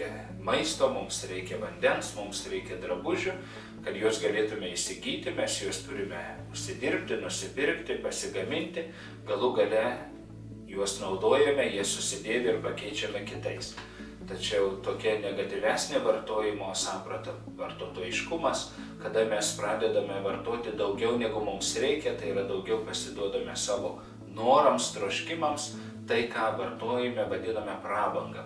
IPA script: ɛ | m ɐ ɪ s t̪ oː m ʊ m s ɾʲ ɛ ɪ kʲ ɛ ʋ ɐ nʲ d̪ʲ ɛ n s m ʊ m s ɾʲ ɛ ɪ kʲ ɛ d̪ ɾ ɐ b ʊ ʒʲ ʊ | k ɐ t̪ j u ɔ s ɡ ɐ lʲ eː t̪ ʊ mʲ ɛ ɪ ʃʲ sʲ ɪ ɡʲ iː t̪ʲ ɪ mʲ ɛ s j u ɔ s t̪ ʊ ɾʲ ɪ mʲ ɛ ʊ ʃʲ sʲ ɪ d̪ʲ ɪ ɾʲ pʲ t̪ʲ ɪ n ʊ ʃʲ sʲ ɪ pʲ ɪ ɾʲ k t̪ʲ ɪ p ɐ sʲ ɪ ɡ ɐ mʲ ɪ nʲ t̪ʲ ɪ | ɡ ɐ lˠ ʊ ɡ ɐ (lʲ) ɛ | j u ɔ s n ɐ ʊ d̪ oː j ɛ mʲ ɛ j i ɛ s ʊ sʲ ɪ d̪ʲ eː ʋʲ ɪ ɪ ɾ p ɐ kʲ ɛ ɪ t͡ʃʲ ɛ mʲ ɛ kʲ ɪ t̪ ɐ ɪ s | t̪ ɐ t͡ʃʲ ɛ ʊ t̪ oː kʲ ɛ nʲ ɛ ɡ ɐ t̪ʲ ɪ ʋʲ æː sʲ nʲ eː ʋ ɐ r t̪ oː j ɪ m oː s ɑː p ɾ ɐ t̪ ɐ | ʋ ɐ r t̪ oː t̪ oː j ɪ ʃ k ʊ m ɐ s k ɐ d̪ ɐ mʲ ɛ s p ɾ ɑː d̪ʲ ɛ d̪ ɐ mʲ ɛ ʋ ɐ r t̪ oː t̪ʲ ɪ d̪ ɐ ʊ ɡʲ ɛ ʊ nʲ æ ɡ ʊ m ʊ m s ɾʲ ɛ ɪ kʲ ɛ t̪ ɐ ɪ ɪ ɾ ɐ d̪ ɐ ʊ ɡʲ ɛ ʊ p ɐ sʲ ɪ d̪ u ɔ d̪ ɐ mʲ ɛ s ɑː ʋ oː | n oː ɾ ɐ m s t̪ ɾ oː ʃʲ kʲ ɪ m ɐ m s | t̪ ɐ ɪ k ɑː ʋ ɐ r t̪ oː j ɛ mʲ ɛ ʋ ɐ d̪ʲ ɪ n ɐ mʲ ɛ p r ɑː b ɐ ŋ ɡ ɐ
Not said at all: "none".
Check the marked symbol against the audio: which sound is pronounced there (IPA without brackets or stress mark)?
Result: lʲ